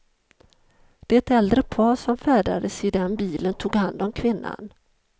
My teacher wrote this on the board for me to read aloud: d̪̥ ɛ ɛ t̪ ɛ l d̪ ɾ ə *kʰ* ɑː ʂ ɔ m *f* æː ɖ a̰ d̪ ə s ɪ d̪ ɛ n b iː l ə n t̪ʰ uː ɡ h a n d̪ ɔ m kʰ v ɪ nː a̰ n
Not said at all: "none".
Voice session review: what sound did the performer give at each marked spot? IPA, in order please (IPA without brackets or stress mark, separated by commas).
pʰ, f